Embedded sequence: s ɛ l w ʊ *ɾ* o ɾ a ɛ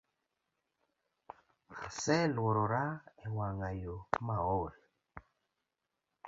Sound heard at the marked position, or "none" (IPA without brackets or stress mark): ɾ